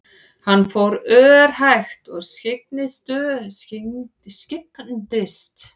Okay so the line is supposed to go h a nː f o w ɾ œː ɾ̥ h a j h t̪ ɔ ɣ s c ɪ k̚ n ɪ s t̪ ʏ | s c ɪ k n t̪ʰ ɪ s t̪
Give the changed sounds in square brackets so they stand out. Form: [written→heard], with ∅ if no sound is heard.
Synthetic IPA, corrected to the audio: h a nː f o w ɾ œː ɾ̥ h a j [h→x] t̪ ɔ ɣ s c ɪ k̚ n ɪ s t̪ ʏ | s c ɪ k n [t̪ʰ→t̪] ɪ s t̪